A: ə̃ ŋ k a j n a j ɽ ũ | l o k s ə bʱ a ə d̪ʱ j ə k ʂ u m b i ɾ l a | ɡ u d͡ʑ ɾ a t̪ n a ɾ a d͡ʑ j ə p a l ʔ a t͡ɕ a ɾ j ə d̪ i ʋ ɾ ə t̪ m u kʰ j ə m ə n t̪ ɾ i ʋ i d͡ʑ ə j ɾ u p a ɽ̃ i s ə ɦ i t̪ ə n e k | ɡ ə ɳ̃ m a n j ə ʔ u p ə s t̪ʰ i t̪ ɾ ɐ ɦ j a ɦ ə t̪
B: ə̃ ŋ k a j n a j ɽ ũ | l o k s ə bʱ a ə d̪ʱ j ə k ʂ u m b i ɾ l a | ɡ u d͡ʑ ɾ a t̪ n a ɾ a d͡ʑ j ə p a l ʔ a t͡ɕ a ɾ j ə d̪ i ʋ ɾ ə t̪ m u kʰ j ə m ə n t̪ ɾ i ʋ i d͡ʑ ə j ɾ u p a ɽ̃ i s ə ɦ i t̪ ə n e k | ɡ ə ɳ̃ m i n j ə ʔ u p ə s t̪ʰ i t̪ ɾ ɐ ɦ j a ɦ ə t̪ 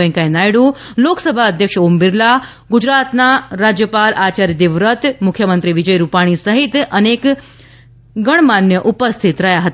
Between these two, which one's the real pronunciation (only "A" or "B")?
A